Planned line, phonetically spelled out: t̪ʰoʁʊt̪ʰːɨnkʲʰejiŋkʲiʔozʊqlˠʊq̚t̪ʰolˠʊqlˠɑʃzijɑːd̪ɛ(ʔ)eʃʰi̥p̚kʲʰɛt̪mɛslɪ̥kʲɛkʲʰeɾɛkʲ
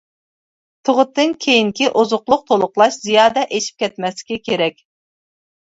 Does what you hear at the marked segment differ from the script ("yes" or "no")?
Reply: no